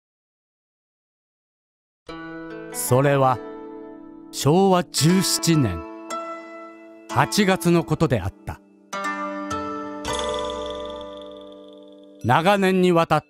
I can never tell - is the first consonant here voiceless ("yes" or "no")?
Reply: yes